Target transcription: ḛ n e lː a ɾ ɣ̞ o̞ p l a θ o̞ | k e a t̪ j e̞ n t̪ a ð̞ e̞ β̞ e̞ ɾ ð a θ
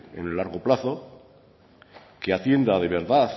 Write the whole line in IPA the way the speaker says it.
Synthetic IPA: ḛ n e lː a ɾ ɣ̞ o̞ p l a θ o̞ | k e a t̪ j e̞ n d̪ a ð̞ e̞ β̞ e̞ ɾ ð a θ